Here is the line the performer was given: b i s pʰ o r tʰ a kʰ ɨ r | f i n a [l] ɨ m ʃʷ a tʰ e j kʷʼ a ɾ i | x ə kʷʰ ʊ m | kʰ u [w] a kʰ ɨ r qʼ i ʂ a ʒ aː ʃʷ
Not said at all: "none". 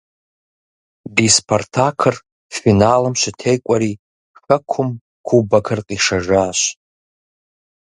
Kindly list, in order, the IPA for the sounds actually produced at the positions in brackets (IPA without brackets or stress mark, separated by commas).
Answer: l, b